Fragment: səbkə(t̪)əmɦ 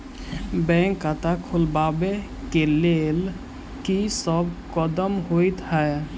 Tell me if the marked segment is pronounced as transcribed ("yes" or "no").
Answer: no